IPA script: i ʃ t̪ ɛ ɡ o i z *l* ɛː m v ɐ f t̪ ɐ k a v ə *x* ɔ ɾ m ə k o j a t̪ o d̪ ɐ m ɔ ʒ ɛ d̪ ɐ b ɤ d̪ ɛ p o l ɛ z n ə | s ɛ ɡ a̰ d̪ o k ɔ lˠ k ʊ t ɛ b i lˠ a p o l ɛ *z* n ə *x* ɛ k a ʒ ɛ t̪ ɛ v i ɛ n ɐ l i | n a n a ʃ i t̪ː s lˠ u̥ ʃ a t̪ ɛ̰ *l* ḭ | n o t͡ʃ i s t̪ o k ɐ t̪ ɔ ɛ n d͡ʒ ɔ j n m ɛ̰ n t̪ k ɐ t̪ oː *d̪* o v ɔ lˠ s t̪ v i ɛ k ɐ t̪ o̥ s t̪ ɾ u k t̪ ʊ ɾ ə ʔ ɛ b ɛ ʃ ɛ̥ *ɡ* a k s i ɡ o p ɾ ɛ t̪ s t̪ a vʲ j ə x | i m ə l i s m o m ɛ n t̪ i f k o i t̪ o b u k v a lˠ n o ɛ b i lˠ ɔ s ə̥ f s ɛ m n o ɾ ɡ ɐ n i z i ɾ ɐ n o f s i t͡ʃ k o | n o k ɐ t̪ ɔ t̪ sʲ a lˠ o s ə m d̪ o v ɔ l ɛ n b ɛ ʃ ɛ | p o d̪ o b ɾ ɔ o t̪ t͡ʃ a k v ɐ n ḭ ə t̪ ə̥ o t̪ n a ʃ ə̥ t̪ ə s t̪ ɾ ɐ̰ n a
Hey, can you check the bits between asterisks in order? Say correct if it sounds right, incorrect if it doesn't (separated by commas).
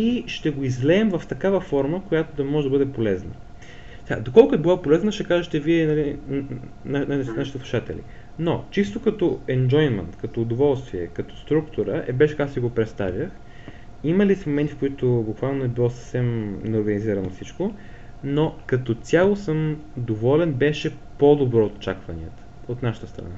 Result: correct, incorrect, correct, incorrect, correct, correct, incorrect